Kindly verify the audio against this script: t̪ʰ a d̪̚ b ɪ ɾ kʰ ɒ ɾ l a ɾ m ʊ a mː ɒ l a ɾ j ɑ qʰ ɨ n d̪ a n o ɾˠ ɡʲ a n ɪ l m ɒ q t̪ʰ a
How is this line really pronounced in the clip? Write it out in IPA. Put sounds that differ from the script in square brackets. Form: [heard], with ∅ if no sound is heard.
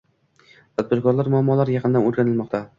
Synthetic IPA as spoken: t̪ʰ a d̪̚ b ɪ ɾ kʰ ɒ ɾ l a ɾ m ʊ a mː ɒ l a ɾ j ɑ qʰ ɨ n d̪ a n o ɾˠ ɡʲ a n ɪ l m ɒ q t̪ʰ a